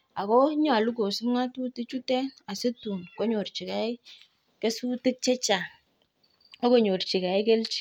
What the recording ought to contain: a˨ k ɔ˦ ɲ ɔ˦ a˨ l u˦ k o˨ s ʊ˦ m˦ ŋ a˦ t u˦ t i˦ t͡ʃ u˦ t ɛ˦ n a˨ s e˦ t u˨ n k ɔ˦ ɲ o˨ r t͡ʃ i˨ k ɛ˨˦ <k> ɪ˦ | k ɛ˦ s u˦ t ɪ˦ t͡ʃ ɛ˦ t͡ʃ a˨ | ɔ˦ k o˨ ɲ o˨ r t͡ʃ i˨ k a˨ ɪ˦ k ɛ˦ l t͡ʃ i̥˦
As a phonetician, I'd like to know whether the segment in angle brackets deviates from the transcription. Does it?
yes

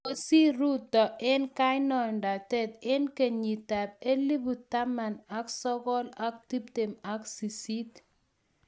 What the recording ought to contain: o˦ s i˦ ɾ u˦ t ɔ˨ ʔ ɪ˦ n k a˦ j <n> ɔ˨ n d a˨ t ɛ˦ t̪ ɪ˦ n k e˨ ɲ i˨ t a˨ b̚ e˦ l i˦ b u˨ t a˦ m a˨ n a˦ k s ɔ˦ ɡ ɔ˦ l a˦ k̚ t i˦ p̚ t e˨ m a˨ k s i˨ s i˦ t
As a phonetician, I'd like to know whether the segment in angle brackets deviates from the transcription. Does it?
no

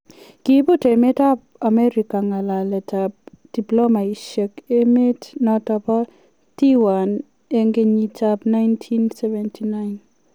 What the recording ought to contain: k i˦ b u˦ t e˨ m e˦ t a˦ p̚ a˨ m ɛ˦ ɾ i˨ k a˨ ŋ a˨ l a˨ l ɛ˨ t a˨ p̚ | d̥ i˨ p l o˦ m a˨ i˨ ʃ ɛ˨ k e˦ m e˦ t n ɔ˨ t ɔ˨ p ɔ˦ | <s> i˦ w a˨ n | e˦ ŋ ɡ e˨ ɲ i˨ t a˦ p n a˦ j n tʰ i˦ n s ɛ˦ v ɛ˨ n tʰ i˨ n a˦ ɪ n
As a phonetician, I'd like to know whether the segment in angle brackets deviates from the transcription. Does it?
yes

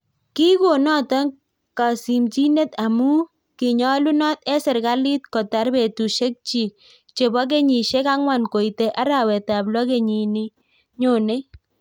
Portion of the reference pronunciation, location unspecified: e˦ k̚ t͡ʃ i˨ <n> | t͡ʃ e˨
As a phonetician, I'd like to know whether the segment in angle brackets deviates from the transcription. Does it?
yes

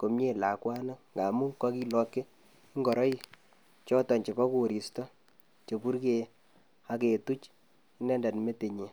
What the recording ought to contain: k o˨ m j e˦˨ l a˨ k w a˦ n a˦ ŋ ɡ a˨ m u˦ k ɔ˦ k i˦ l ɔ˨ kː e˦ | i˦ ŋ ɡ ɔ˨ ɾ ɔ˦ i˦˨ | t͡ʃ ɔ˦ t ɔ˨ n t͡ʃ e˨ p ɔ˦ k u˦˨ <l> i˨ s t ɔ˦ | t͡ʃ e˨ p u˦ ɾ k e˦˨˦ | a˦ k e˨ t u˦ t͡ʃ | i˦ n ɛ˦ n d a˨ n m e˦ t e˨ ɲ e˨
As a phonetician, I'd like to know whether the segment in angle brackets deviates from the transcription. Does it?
yes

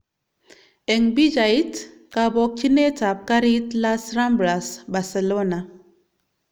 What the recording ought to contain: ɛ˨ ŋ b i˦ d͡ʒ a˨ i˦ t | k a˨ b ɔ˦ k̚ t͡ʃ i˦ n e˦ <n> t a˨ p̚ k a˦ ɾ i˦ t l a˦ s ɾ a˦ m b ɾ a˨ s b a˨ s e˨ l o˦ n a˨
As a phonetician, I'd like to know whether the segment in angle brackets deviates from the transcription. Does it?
yes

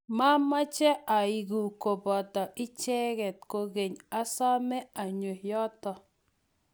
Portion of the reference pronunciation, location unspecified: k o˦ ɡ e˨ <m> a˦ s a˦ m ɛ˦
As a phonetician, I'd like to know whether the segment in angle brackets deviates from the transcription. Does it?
yes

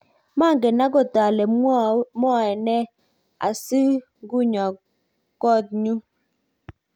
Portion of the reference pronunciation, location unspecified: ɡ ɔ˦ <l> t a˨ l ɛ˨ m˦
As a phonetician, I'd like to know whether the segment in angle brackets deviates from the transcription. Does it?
yes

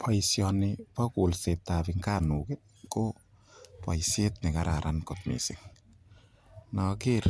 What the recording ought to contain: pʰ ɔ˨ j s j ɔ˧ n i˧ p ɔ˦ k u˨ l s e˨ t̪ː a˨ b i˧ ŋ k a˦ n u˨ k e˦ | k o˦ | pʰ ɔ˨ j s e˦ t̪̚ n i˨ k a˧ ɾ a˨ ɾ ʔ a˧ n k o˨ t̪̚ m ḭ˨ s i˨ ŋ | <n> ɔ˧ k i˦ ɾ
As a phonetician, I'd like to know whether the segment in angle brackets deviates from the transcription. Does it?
no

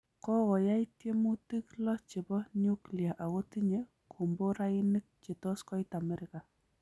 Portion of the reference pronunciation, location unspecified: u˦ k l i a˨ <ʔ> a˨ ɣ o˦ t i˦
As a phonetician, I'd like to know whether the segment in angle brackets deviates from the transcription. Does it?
no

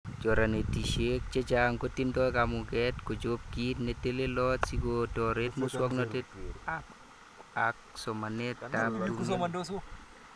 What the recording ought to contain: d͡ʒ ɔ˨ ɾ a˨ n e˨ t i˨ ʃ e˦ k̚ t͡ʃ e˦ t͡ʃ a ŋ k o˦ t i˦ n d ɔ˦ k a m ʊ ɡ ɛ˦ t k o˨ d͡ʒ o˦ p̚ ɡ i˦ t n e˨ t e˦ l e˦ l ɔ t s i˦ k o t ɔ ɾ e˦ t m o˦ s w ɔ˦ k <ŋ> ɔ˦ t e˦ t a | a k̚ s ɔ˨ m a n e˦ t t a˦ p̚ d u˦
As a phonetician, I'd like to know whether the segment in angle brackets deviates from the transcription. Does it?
yes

